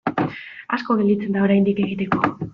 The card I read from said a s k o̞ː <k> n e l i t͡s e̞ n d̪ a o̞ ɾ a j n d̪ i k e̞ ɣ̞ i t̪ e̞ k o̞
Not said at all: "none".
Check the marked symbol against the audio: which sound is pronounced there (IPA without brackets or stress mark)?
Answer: none